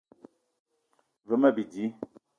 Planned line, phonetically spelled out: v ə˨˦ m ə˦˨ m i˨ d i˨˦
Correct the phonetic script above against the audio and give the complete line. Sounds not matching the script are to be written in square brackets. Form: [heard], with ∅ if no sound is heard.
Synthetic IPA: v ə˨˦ m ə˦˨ [b] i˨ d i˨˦